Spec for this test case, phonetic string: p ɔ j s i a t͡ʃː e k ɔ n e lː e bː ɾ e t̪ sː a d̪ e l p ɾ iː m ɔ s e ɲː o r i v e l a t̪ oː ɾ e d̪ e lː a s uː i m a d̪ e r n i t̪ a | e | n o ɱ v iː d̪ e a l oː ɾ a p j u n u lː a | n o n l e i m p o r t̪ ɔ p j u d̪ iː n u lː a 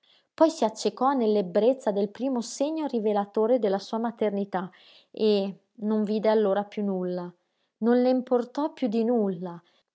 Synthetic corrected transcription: p ɔ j s i a t͡ʃː e k ɔ n e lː e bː ɾ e t̪ sː a d̪ e l p ɾ iː m o s e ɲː o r i v e l a t̪ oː ɾ e d̪ e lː a s uː a m a t̪ e r n i t̪ a | e | n o ɱ v iː d̪ e a lː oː ɾ a p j u n u lː a | n o n l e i m p o r t̪ ɔ p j u d̪ i n u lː a